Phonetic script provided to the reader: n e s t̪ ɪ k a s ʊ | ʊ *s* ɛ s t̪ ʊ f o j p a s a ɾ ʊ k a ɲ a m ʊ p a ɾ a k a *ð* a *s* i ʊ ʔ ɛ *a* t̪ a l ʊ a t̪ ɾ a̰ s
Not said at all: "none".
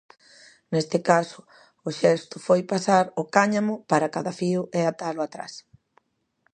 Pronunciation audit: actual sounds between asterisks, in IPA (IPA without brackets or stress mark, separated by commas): ʃ, ð, f, a